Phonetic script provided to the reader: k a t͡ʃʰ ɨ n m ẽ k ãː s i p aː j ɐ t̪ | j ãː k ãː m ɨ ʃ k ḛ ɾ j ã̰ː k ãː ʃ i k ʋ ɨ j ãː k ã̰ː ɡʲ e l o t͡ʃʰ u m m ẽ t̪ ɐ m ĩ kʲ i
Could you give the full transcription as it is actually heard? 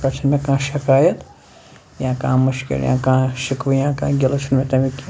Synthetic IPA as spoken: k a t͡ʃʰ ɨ n m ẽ k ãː ʃ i k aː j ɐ t̪ | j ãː k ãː m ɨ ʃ k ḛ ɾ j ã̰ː k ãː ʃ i k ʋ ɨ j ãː k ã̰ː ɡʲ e l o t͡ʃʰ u n m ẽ t̪ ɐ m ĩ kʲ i